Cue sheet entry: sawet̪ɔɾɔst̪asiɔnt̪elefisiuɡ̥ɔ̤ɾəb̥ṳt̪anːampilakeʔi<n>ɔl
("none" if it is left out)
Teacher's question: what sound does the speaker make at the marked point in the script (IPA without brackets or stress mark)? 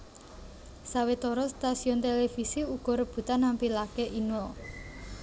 n